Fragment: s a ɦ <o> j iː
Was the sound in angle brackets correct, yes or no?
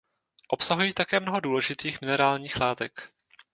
no